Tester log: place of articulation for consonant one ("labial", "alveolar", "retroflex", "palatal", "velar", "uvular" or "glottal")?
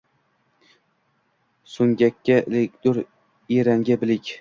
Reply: alveolar